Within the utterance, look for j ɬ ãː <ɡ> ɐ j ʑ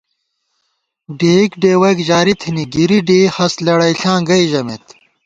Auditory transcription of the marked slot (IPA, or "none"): ɡ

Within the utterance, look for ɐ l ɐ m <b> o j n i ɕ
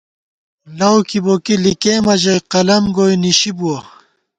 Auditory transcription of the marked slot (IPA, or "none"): ɡ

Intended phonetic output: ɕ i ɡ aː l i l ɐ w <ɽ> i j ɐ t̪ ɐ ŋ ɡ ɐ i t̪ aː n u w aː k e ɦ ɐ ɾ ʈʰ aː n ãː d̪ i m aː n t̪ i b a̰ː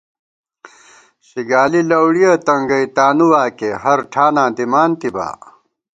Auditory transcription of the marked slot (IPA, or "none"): ɽ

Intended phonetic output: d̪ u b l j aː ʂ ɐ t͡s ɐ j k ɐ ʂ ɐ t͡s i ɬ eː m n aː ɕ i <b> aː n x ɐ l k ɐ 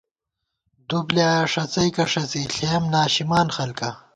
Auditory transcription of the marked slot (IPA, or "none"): m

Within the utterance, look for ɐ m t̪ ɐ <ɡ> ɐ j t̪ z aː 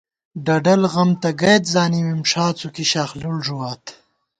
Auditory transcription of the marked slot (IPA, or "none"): ɡ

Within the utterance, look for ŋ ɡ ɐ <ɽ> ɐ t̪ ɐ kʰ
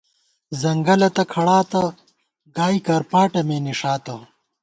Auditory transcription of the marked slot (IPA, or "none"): l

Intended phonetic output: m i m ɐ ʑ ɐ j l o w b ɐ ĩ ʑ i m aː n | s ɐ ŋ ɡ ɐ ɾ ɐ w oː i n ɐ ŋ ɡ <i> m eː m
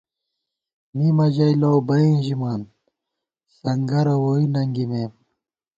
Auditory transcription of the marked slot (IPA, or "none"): i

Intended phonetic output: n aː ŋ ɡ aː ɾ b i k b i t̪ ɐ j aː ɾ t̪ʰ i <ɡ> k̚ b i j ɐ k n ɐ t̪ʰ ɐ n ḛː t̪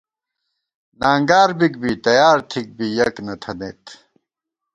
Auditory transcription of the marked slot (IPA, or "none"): none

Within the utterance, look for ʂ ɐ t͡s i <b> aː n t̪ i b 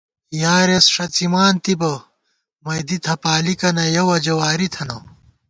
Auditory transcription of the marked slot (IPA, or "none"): m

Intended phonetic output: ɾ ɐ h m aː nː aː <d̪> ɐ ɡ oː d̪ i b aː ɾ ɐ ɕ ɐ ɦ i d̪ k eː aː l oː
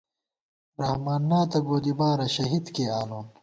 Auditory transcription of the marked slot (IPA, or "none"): t̪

